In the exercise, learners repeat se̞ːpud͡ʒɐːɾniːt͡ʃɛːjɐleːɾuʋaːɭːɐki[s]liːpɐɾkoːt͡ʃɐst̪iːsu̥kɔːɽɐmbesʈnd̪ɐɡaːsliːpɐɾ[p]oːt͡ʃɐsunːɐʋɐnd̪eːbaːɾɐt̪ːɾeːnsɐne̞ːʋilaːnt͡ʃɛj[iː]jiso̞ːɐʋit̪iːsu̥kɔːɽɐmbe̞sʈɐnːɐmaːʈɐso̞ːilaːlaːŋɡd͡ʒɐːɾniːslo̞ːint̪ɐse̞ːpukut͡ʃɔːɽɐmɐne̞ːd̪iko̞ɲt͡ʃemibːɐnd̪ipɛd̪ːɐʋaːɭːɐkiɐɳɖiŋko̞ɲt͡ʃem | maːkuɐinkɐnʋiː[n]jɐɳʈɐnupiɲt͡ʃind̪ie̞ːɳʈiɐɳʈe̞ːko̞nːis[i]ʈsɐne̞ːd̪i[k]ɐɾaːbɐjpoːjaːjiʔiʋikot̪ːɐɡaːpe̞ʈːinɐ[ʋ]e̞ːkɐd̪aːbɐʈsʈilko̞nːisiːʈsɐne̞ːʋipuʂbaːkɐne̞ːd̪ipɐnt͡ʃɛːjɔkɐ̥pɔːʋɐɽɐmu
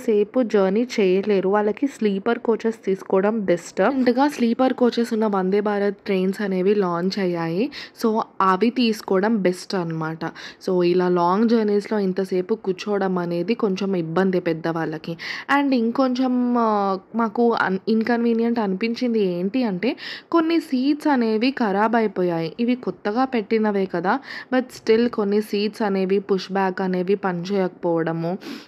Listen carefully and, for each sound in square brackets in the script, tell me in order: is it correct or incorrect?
correct, incorrect, incorrect, correct, incorrect, correct, correct

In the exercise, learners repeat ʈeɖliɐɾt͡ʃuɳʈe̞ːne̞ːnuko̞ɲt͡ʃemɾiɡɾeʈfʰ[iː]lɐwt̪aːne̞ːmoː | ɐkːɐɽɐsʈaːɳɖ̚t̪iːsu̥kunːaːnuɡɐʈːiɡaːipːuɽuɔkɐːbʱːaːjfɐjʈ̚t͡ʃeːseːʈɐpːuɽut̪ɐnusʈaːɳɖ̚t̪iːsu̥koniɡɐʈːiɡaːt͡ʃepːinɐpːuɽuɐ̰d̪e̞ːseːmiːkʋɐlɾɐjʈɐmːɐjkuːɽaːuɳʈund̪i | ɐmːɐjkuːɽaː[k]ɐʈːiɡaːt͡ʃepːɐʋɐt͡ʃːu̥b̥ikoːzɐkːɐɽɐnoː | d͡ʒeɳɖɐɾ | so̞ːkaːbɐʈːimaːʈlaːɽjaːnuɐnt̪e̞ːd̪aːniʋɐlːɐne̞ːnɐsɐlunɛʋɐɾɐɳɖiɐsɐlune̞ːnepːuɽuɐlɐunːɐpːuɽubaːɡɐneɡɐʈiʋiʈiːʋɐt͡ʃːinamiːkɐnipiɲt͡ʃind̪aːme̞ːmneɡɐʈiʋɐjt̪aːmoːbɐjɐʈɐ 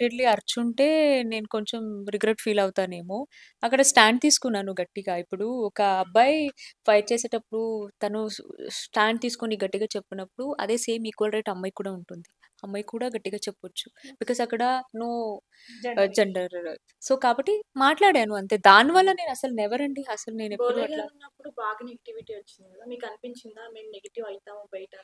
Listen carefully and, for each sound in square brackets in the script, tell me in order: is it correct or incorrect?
correct, incorrect

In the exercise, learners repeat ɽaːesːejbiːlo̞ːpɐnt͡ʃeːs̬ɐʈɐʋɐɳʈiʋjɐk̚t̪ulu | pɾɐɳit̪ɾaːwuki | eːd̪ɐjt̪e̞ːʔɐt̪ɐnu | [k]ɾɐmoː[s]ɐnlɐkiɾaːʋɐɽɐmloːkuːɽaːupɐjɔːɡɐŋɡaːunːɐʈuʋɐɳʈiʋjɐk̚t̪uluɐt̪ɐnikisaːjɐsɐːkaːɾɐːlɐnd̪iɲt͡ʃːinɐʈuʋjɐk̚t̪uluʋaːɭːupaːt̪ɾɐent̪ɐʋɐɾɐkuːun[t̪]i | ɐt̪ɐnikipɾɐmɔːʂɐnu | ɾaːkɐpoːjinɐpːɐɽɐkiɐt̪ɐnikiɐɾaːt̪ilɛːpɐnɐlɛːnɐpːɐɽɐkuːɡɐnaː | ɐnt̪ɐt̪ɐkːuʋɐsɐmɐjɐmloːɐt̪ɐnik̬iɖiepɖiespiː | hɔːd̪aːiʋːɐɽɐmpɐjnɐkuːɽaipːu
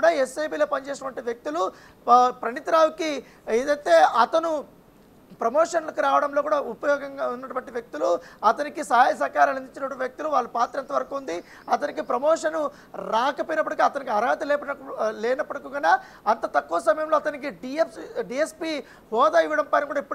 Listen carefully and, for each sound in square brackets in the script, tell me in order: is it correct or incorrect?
incorrect, incorrect, incorrect

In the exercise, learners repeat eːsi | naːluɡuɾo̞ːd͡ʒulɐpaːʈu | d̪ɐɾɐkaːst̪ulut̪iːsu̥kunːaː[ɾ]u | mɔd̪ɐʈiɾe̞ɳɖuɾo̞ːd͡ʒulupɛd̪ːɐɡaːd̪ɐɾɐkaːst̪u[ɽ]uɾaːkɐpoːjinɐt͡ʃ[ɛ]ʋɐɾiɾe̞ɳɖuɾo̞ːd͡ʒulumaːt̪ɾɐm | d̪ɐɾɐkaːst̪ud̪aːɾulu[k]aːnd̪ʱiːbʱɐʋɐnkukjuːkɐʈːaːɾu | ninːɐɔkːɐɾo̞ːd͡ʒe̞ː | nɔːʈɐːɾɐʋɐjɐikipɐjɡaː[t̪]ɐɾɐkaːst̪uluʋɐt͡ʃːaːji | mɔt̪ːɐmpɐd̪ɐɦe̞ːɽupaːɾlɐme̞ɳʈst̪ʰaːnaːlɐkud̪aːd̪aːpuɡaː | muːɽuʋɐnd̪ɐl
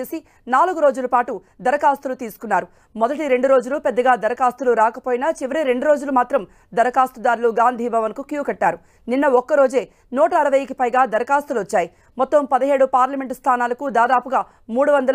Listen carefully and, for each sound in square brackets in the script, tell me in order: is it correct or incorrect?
correct, incorrect, incorrect, incorrect, incorrect

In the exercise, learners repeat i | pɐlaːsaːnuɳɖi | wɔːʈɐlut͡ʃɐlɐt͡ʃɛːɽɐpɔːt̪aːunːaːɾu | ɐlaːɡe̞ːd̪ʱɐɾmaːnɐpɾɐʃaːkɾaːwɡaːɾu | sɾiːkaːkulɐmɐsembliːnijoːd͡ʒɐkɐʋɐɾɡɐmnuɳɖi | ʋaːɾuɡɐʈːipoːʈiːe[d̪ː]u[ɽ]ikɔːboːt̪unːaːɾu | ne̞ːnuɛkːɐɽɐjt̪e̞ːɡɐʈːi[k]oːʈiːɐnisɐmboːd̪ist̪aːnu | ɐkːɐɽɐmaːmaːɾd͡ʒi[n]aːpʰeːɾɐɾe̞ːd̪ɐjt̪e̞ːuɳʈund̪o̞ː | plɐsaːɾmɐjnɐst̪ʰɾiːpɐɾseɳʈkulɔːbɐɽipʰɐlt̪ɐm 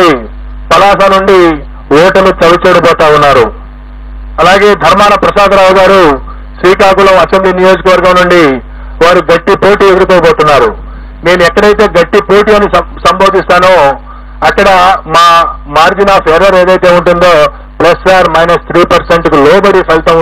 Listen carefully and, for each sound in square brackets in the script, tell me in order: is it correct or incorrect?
incorrect, incorrect, incorrect, correct

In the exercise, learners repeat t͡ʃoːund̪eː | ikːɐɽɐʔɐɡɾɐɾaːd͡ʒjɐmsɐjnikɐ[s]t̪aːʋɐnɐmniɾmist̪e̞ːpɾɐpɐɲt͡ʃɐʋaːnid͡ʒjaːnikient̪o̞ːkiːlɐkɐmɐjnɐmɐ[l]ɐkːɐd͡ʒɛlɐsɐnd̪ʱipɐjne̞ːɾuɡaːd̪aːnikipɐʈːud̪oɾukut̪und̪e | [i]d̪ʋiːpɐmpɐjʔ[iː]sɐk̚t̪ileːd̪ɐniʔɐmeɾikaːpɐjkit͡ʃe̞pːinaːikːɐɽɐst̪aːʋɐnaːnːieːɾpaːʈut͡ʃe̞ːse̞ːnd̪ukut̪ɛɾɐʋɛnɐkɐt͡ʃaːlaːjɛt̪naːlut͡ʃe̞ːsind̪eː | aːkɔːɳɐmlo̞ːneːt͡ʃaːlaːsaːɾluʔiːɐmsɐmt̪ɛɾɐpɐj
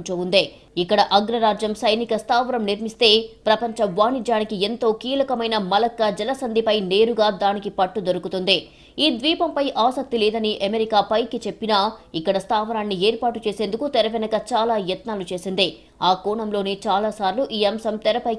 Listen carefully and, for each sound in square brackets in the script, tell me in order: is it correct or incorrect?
correct, correct, incorrect, incorrect

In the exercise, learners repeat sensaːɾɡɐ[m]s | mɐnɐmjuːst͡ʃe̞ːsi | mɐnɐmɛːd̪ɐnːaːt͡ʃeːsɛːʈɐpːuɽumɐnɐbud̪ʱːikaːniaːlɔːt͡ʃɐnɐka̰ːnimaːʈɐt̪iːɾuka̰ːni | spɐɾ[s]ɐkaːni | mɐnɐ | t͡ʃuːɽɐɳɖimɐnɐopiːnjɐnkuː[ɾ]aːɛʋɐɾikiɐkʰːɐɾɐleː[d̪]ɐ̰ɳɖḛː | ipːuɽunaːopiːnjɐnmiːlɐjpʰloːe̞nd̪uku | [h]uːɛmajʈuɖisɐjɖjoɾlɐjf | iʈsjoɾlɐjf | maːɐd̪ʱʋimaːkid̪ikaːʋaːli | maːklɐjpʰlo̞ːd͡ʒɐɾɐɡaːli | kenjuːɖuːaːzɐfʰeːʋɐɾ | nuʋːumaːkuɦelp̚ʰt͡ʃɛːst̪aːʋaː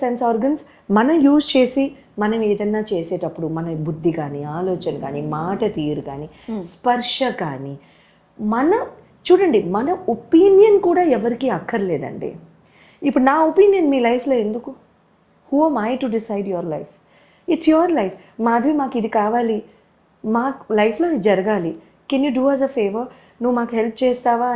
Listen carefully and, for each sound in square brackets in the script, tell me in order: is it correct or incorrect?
incorrect, incorrect, incorrect, correct, correct

